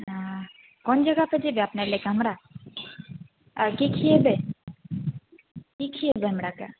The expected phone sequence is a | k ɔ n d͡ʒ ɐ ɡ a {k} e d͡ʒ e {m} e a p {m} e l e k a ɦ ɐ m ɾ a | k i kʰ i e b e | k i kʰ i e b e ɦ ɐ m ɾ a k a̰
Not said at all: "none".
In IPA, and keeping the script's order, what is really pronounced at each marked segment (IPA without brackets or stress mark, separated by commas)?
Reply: p, b, n